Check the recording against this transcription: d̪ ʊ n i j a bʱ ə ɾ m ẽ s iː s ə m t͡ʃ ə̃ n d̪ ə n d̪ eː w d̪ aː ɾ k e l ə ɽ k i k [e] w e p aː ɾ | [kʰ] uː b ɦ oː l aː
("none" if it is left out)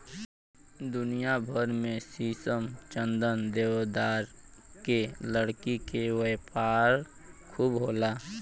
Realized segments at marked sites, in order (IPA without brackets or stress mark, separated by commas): e, kʰ